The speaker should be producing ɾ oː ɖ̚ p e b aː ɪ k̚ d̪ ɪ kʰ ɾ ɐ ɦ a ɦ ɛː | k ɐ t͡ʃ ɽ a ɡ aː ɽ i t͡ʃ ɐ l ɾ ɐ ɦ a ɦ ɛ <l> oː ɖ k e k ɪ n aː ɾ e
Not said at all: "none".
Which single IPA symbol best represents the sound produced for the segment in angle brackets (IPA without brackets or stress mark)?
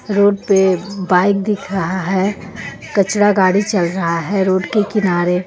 ɾ